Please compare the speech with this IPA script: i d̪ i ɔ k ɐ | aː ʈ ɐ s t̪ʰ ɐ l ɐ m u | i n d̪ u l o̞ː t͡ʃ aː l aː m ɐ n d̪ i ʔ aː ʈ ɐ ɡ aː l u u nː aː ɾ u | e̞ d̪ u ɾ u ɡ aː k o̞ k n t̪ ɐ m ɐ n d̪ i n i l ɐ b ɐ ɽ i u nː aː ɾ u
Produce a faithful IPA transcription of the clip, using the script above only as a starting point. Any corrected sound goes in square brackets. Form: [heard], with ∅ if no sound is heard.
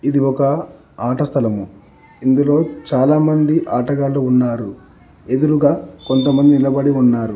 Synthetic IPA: i d̪ i ɔ k ɐ | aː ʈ ɐ s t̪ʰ ɐ l ɐ m u | i n d̪ u l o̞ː t͡ʃ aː l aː m ɐ n d̪ i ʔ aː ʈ ɐ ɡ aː l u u nː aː ɾ u | e̞ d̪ u ɾ u ɡ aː k o̞ [∅] n t̪ ɐ m ɐ n d̪ i n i l ɐ b ɐ ɽ i u nː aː ɾ u

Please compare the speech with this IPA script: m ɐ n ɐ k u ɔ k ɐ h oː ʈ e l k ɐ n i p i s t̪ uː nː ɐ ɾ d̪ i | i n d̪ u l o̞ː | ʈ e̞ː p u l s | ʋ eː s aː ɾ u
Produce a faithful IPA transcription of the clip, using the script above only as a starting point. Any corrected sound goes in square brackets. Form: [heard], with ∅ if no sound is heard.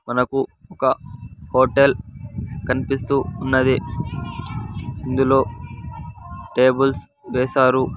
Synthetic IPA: m ɐ n ɐ k u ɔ k ɐ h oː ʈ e l k ɐ n i p i s t̪ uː nː ɐ [∅] d̪ i | i n d̪ u l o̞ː | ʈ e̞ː [b] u l s | ʋ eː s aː ɾ u

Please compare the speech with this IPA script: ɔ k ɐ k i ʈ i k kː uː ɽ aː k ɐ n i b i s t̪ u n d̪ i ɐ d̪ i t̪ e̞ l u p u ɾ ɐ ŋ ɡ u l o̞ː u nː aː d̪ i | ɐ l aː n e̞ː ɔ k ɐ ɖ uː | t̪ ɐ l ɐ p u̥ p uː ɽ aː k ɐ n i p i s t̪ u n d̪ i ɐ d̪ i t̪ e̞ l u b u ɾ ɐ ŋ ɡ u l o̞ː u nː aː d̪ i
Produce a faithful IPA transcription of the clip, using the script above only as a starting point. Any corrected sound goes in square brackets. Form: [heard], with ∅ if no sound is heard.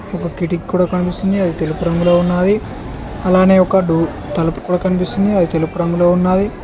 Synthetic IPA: ɔ k ɐ k i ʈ i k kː uː ɽ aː k ɐ n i [p] i s t̪ u n d̪ i ɐ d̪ i t̪ e̞ l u p u ɾ ɐ ŋ ɡ u l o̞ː u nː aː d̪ i | ɐ l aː n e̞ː ɔ k ɐ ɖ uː | t̪ ɐ l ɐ p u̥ [k] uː ɽ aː k ɐ n i p i s t̪ u n d̪ i ɐ d̪ i t̪ e̞ l u [p] u ɾ ɐ ŋ ɡ u l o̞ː u nː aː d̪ i

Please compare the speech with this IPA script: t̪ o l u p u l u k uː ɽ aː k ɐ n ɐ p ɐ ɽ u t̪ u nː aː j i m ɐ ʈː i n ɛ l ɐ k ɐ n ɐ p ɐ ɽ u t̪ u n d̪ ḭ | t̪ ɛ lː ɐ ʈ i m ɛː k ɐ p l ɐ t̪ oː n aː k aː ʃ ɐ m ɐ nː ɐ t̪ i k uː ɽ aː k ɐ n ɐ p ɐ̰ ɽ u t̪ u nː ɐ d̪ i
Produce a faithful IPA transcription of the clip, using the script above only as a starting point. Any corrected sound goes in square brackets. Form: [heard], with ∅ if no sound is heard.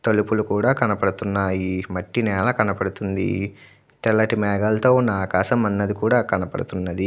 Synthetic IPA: t̪ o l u p u l u k uː ɽ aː k ɐ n ɐ p ɐ ɽ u t̪ u nː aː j i m ɐ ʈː i n [ɛː] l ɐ k ɐ n ɐ p ɐ ɽ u t̪ u n d̪ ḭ | t̪ ɛ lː ɐ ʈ i m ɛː [ɡ] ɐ [∅] l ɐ t̪ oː n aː k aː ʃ ɐ m ɐ nː ɐ [d̪] i k uː ɽ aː k ɐ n ɐ p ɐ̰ ɽ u t̪ u nː ɐ d̪ i

